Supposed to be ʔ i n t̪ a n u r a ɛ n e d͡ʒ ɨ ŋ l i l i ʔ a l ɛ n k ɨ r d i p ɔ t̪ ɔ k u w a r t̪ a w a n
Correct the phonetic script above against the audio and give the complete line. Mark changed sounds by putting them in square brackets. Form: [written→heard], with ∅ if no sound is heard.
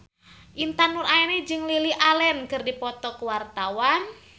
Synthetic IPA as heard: ʔ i n t̪ a n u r a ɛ n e d͡ʒ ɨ ŋ l i l i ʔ a l ɛ n k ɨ r d i p ɔ t̪ ɔ k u w a r t̪ a w a n